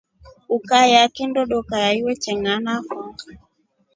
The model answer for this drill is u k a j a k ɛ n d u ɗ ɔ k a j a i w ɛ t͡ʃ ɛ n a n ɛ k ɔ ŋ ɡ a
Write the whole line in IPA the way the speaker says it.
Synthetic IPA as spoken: u k a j a k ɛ n d ɔ ɗ ɔ k a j a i w ɛ t͡ʃ ɛ ŋ a n a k ɔ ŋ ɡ a